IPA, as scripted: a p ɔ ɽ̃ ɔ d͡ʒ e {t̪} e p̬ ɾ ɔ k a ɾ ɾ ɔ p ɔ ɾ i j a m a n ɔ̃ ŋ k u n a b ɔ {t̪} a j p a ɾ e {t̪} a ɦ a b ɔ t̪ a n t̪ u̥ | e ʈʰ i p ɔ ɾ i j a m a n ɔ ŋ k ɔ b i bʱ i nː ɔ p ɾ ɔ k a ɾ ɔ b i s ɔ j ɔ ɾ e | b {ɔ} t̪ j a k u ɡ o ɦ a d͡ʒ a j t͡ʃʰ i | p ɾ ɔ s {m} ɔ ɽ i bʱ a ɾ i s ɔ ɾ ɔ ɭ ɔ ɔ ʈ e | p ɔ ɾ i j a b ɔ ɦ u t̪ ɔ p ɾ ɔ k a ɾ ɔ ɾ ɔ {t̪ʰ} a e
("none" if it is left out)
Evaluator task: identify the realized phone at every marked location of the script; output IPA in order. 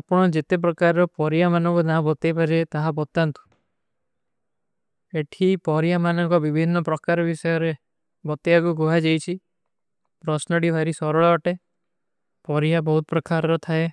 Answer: t̪, t̪, t̪, ɔ, n, t̪ʰ

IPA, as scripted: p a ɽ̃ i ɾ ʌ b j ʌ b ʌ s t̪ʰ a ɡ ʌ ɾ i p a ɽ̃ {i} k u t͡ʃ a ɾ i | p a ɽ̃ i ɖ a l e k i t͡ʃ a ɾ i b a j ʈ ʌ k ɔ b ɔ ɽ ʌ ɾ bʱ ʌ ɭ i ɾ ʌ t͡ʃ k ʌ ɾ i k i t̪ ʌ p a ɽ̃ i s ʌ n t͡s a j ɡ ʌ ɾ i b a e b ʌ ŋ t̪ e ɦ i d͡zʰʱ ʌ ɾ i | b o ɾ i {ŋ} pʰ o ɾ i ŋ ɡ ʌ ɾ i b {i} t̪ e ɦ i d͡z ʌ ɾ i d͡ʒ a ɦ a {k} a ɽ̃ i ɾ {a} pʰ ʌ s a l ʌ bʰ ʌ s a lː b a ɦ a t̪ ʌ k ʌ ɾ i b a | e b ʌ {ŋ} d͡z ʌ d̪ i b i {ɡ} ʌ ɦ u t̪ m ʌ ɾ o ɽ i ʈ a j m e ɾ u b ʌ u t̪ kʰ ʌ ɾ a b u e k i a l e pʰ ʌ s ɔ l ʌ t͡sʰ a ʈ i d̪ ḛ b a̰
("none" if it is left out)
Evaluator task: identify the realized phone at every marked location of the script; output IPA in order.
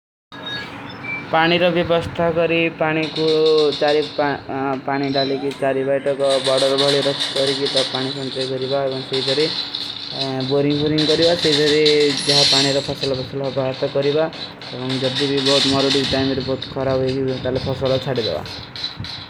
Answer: i, ŋ, a, p, ʌ, ŋ, b

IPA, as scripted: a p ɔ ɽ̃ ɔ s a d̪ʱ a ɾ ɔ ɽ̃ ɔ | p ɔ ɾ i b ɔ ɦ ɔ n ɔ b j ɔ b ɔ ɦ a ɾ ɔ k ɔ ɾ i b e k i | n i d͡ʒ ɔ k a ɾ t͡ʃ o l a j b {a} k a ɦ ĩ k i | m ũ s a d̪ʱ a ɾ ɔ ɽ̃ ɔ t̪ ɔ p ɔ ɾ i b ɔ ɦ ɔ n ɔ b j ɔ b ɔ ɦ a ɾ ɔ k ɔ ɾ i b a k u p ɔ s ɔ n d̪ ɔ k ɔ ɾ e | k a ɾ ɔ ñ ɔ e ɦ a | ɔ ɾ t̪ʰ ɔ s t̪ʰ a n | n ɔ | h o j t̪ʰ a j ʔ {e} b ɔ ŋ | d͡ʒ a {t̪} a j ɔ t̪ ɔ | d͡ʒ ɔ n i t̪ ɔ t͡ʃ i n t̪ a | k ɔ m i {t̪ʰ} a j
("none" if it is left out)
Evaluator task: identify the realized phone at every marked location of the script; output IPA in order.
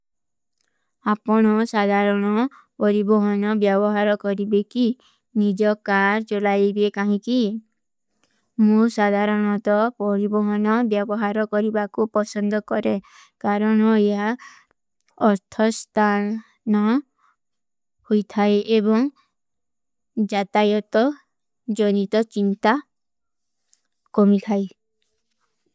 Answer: e, e, t̪, t̪ʰ

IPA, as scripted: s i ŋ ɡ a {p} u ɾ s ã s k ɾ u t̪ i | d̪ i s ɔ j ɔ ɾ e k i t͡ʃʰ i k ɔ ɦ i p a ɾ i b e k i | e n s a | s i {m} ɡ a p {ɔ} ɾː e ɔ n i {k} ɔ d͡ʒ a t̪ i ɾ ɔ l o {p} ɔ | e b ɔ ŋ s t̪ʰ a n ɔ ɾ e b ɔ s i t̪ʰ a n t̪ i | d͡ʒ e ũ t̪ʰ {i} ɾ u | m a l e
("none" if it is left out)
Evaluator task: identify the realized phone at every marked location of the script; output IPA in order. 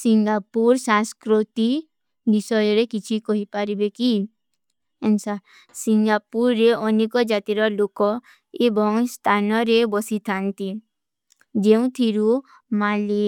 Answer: p, ŋ, u, k, k, i

